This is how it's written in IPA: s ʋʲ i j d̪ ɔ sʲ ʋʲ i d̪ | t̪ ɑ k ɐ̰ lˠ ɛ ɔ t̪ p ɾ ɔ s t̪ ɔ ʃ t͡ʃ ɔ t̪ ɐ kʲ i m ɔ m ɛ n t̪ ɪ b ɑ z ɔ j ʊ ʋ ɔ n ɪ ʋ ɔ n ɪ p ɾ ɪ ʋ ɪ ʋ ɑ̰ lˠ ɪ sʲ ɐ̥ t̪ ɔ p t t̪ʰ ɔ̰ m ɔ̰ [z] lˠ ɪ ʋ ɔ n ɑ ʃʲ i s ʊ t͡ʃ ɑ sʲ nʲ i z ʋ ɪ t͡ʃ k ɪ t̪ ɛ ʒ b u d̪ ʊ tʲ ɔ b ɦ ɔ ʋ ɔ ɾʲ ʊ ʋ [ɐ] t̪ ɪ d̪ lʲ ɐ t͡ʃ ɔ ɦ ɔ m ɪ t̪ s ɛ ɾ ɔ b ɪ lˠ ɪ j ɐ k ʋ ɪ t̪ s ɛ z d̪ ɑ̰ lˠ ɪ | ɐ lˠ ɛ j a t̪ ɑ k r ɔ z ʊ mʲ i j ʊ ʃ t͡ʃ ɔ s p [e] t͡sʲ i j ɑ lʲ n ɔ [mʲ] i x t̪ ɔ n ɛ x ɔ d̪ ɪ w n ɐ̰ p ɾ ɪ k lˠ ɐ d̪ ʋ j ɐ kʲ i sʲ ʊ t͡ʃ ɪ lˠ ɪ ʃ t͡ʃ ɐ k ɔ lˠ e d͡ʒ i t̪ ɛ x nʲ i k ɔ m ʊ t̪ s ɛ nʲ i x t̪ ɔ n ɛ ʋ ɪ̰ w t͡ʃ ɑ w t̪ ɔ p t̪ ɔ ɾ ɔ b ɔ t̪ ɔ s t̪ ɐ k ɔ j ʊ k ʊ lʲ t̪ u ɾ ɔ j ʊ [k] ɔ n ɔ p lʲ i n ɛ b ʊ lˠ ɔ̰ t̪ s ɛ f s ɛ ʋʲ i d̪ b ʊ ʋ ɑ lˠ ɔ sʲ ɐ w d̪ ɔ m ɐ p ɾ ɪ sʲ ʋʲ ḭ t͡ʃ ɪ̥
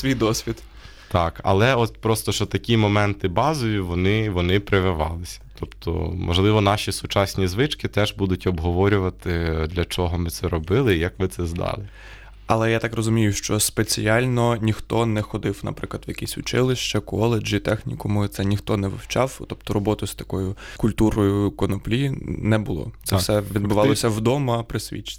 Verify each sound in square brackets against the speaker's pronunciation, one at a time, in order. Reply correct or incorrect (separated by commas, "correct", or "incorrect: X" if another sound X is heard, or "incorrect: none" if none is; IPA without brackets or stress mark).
incorrect: ʒ, correct, correct, incorrect: nʲ, correct